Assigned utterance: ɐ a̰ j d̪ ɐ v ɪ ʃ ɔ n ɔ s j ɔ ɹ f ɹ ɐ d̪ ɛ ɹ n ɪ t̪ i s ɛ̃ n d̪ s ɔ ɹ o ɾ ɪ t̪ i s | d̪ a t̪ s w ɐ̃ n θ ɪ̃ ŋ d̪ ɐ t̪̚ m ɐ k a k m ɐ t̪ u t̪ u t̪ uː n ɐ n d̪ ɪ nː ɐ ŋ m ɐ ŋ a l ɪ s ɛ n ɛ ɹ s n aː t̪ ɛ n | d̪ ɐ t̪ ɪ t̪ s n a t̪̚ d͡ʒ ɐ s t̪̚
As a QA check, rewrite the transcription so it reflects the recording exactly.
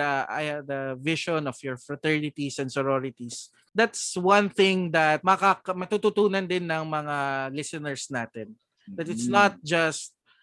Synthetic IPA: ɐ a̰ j d̪ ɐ v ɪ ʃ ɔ n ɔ f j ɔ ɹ f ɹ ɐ t̪ ɛ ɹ n ɪ t̪ i s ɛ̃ n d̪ s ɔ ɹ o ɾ ɪ t̪ i s | d̪ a t̪ s w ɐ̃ n θ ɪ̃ ŋ d̪ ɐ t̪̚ m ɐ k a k m ɐ t̪ u t̪ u t̪ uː n ɐ n d̪ ɪ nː ɐ ŋ m ɐ ŋ a l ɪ s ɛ n ɛ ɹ s n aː t̪ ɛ n | d̪ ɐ t̪ ɪ t̪ s n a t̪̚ d͡ʒ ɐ s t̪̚